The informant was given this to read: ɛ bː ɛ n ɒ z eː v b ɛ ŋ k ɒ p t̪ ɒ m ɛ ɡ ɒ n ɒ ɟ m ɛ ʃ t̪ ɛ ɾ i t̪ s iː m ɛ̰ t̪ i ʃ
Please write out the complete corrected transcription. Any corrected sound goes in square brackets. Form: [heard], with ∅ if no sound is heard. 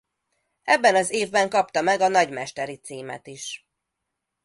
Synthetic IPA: ɛ bː ɛ n ɒ z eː v b ɛ ŋ k ɒ p t̪ ɒ m ɛ ɡ ɒ n ɒ ɟ m ɛ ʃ t̪ ɛ ɾ i t̪ s iː m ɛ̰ t̪ i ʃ